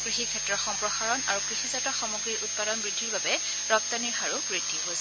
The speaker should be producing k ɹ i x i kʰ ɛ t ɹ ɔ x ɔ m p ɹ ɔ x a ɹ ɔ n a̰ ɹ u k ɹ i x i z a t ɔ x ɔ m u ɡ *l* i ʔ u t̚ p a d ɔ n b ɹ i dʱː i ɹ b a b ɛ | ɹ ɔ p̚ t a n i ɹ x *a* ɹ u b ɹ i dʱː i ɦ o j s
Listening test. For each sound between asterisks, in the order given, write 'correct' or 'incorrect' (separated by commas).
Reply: incorrect, correct